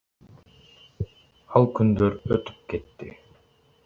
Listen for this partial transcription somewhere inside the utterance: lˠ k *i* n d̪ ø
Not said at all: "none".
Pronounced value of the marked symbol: y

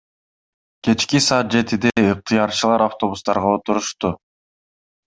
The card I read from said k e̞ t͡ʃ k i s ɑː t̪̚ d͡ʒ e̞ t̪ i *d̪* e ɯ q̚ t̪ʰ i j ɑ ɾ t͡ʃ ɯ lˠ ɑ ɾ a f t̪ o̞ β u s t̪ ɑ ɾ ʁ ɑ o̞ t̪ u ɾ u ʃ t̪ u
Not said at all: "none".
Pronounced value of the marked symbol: d̪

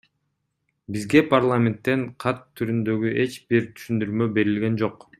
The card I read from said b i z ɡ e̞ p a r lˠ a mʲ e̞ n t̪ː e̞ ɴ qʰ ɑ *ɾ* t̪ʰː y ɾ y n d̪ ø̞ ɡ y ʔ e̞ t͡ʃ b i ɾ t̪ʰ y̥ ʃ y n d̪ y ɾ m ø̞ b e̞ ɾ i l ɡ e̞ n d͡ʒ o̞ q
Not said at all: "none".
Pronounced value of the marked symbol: none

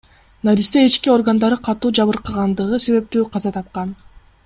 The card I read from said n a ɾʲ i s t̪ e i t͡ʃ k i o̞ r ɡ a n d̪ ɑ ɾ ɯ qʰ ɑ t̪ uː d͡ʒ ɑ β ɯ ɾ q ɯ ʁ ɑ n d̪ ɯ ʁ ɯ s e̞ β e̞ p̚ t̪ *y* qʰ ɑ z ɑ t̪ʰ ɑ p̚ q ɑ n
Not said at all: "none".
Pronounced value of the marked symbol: yː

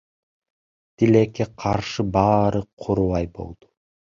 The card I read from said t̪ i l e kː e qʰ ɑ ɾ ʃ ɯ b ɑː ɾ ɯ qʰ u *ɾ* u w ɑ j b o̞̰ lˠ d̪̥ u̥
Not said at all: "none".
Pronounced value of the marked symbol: ɾ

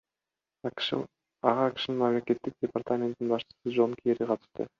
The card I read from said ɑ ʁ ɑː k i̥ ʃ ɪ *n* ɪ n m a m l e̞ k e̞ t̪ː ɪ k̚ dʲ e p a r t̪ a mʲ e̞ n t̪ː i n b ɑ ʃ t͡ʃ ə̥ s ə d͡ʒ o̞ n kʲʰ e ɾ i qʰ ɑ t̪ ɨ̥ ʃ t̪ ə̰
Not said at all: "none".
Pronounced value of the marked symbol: n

